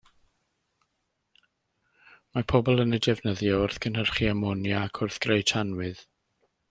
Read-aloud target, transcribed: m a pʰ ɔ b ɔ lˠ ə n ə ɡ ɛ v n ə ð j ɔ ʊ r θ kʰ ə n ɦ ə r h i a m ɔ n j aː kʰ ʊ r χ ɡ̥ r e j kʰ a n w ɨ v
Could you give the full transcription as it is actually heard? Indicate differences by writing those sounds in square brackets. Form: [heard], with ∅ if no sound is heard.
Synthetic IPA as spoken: m a pʰ ɔ b ɔ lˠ ə n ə [d] ɛ v n ə ð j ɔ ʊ r θ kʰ ə n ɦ ə r [χ] i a m ɔ n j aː kʰ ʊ r [θ] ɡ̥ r e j [tʰ] a n w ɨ [ð]